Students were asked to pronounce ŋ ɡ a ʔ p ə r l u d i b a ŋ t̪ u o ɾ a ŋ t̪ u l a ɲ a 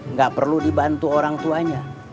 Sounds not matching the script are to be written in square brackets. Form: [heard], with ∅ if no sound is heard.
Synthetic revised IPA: ŋ ɡ a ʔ p ə r l u d i b a [n] t̪ u o ɾ a ŋ t̪ u [∅] a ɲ a

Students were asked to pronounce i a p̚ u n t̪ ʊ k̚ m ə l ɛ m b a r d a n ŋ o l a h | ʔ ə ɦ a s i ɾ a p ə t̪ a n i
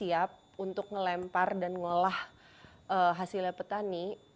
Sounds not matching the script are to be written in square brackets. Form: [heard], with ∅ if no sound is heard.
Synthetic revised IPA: i a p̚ u n t̪ ʊ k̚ [ŋ] ə l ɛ m [p] a r d a n ŋ o l a h | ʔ ə ɦ a s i [l] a p ə t̪ a n i

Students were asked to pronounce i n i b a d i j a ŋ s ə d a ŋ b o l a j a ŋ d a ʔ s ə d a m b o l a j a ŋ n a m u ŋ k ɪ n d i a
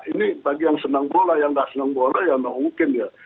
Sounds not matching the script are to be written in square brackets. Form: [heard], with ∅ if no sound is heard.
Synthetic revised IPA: i n i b a [ɡ] i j a ŋ s ə [n] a ŋ b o l a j a ŋ d a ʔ s ə [n] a [ŋ] b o l a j a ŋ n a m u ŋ k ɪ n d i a

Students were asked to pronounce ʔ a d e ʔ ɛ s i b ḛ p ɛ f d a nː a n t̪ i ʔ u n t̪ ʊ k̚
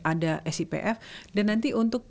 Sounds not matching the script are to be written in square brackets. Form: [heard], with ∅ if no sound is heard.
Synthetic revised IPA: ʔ a d [a] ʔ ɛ s i [p] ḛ [ʔ] ɛ f d a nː a n t̪ i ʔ u n t̪ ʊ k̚

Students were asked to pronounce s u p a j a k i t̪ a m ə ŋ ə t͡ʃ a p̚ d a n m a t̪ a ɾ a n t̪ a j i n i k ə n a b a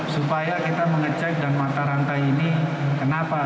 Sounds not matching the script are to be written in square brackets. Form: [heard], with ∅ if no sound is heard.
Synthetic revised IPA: s u p a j a k i t̪ a m ə ŋ ə t͡ʃ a [k̚] d a n m a t̪ a ɾ a n t̪ a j i n i k ə n a [p] a

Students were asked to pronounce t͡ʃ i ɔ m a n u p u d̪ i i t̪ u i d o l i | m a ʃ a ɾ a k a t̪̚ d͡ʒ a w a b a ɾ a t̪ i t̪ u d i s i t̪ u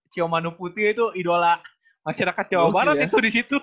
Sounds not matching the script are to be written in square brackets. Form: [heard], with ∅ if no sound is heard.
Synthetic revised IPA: t͡ʃ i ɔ m a n u p u [t̪] i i t̪ u i d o l [a] | m a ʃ a ɾ a k a t̪̚ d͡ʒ a w a b a ɾ a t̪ i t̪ u d i s i t̪ u

